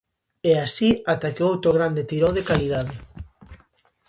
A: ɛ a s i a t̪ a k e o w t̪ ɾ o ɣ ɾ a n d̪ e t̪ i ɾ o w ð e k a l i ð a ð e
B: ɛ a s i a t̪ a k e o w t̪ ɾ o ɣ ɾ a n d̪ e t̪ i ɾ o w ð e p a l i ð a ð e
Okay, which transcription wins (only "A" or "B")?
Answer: A